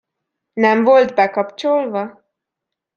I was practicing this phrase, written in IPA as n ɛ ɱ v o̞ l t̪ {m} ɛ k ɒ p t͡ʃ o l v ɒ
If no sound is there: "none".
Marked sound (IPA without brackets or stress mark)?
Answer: b